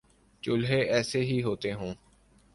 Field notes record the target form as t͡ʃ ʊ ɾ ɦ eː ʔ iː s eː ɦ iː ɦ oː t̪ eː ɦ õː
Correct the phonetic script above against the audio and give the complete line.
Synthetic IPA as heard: t͡ʃ ʊ l ɦ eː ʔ ɛː s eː ɦ iː ɦ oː t̪ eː ɦ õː